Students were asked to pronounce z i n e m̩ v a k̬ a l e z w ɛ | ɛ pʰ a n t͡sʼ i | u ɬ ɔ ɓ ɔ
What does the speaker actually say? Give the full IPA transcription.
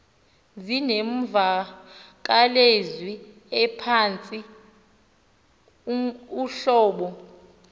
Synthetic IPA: z i n e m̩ v a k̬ a l e z w i | ɛ pʰ a n t͡sʼ i | u ɬ ɔː ɓ ɔ